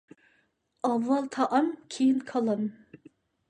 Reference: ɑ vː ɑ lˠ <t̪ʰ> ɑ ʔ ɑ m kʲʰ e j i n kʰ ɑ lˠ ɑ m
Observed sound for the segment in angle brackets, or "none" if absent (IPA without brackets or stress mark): t̪ʰ